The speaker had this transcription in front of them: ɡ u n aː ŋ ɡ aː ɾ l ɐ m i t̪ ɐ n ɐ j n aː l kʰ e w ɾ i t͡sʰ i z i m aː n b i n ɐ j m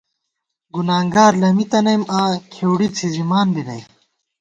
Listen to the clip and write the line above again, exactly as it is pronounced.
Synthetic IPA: ɡ u n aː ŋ ɡ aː ɾ l ɐ m i t̪ ɐ n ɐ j m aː kʰ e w ɽ i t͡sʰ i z i m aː n b i n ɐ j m